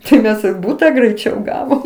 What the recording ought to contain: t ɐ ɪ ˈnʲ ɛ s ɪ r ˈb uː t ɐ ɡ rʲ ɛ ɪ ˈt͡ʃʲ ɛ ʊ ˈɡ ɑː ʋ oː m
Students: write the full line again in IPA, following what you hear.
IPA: t ɐ ɪ ˈmʲ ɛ s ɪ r ˈb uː t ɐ ɡ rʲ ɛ ɪ ˈt͡ʃʲ ɛ ʊ ˈɡ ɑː ʋ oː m